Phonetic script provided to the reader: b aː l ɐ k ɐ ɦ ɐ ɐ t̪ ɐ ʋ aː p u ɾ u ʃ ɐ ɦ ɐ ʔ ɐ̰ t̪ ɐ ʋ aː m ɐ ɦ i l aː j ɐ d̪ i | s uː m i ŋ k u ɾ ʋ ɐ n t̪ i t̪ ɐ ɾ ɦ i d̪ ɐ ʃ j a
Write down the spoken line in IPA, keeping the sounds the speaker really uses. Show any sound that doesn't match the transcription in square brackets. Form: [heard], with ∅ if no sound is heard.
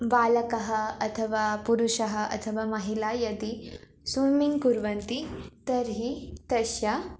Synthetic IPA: b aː l ɐ k ɐ ɦ ɐ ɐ [t̪ʰ] ɐ ʋ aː p u ɾ u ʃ ɐ ɦ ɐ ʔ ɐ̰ [t̪ʰ] ɐ ʋ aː m ɐ ɦ i l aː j ɐ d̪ i | s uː m i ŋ k u ɾ ʋ ɐ n t̪ i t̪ ɐ ɾ ɦ i [t̪] ɐ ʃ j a